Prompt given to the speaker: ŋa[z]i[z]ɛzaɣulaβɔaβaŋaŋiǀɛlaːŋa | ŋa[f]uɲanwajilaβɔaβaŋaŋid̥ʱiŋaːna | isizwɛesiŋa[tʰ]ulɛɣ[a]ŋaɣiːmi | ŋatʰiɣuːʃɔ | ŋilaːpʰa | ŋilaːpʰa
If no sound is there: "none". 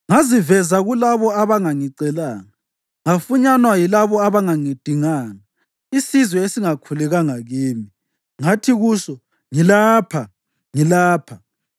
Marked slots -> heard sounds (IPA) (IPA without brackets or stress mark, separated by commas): z, v, f, kʰ, a